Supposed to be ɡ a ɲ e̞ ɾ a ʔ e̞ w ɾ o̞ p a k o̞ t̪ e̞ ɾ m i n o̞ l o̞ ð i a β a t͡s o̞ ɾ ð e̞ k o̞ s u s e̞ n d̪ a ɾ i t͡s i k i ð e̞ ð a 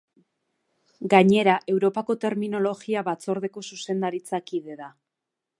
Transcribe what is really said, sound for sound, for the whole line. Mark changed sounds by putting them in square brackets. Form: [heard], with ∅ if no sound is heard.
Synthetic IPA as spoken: ɡ a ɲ e̞ ɾ a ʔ e̞ w ɾ o̞ p a k o̞ t̪ e̞ ɾ m i n o̞ l o̞ [ɣ] i a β a t͡s o̞ ɾ ð e̞ k o̞ s u s e̞ n d̪ a ɾ i t͡s [a] k i ð e̞ ð a